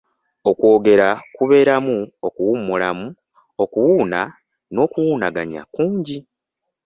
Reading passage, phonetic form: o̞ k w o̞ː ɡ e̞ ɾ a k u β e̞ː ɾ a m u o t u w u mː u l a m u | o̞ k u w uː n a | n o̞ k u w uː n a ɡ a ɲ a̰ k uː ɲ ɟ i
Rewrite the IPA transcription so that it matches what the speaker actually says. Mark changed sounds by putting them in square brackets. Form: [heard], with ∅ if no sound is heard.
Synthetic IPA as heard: o̞ k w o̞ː ɡ e̞ ɾ a k u β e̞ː ɾ a m u o [k] u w u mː u l a m u | o̞ k u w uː n a | n o̞ k u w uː n a ɡ a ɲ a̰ k uː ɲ ɟ i